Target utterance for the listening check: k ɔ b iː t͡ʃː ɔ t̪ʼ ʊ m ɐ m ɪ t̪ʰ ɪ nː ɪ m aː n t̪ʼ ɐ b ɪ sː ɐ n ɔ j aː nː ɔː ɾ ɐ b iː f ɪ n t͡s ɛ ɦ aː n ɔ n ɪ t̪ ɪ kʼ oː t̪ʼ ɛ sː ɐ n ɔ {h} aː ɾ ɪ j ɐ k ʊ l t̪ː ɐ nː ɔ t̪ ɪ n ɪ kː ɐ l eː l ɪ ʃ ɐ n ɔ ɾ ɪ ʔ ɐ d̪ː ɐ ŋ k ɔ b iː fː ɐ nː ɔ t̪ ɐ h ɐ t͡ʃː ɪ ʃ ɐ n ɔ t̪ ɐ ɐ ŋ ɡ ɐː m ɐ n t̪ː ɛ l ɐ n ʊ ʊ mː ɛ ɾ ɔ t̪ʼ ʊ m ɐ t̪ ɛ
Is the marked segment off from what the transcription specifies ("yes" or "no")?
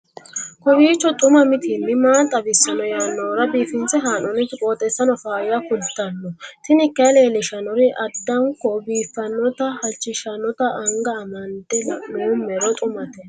yes